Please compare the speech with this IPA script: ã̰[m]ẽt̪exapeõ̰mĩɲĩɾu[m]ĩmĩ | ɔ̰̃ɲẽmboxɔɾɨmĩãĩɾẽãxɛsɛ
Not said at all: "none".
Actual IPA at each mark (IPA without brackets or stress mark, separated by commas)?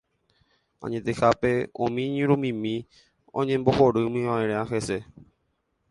ɲ, m